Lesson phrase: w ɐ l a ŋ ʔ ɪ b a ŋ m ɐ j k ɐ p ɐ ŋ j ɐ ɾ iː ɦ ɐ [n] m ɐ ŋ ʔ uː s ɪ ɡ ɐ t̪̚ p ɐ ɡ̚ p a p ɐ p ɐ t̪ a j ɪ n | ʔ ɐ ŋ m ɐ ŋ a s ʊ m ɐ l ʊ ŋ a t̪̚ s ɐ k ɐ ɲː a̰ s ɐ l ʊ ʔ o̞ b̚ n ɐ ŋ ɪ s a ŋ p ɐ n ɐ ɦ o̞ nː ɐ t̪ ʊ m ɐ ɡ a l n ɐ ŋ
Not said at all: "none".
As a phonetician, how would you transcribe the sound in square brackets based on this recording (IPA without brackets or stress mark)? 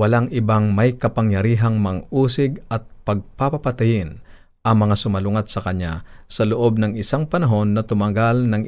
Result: ŋ